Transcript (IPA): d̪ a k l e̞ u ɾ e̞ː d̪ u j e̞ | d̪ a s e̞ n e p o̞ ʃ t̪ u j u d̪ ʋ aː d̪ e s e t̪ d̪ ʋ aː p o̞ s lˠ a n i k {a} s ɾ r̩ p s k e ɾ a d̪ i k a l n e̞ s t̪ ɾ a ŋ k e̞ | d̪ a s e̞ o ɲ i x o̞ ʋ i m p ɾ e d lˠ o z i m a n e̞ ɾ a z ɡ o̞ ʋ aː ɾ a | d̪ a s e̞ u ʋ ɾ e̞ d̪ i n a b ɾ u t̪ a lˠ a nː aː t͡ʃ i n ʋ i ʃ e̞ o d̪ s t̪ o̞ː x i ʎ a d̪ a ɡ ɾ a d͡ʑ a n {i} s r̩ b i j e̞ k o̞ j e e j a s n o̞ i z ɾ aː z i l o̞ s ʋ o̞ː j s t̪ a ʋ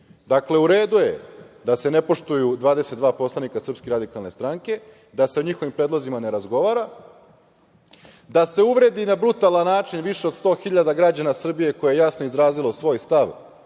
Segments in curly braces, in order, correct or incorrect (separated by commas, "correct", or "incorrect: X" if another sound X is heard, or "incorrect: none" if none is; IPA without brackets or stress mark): correct, incorrect: a